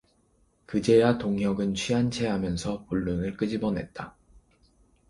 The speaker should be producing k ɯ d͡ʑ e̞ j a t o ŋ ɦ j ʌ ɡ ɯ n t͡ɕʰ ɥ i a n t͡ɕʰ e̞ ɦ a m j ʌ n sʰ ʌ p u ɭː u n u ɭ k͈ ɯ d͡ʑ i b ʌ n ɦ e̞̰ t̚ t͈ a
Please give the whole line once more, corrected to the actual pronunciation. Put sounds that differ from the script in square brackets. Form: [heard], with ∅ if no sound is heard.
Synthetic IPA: k ɯ d͡ʑ e̞ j a t o ŋ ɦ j ʌ ɡ ɯ n t͡ɕʰ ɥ i a n t͡ɕʰ e̞ ɦ a m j ʌ n sʰ ʌ p u ɭː u n [ɯ] ɭ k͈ ɯ d͡ʑ i b ʌ n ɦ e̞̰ t̚ t͈ a